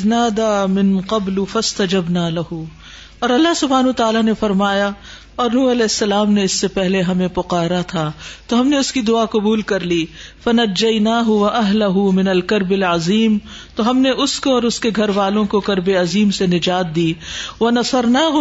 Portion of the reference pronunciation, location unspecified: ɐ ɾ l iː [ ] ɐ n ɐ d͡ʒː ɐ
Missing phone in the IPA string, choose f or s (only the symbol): f